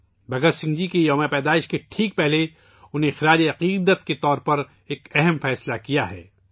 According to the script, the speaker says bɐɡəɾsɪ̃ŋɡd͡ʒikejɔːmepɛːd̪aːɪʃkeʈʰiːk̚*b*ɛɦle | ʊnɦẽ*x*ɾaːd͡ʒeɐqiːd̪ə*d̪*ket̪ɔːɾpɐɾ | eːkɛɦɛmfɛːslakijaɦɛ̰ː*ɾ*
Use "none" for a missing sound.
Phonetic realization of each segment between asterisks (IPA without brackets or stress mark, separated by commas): p, x, t̪, none